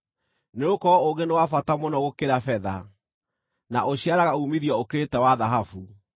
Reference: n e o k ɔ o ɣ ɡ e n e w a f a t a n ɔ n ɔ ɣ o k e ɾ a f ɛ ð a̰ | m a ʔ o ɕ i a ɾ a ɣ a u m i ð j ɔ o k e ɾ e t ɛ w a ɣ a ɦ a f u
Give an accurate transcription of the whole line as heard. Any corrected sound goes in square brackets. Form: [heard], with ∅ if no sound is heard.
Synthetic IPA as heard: n e o k ɔ o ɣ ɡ e n e w a f a t a [m] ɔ n ɔ ɣ o k e ɾ a f ɛ ð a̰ | [n] a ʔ o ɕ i a ɾ a ɣ a u m i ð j ɔ o k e ɾ e t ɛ w a [ð] a ɦ a f u